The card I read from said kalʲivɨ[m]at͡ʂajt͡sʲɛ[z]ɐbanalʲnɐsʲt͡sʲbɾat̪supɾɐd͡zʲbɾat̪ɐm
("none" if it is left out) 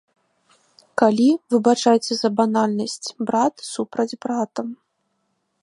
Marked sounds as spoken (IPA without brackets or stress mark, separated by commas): b, z